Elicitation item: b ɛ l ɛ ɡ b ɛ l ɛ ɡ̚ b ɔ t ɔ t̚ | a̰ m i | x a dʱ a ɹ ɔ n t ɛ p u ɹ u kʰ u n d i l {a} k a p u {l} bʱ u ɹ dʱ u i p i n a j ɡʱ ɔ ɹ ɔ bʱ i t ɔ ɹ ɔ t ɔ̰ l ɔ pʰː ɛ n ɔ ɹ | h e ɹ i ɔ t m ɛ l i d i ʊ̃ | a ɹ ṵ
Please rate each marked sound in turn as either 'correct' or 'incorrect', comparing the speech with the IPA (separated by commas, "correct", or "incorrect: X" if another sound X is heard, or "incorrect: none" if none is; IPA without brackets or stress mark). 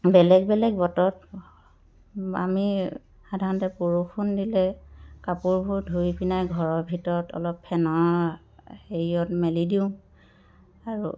incorrect: ɛ, incorrect: ɹ